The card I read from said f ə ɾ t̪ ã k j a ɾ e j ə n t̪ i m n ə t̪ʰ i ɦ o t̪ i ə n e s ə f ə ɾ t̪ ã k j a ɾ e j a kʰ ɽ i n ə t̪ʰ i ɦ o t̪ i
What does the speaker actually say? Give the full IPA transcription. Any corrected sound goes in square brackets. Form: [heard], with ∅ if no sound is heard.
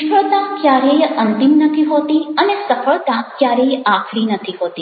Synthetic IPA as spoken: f ə [ɭ] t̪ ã k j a ɾ e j ə n t̪ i m n ə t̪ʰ i ɦ o t̪ i ə n e s ə f ə [ɭ] t̪ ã k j a ɾ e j a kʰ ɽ i n ə t̪ʰ i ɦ o t̪ i

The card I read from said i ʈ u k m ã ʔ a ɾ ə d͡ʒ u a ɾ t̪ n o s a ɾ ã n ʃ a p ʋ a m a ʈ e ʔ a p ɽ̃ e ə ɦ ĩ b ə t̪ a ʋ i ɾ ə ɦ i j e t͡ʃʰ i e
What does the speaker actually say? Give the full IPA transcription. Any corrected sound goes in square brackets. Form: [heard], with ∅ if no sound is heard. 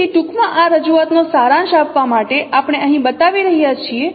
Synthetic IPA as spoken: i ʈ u k m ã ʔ a ɾ ə d͡ʒ u a [∅] t̪ n o s a ɾ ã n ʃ a p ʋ a m a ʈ e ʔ a p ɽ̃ e ə ɦ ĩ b ə t̪ a ʋ i ɾ ə ɦ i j [a] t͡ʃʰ i e

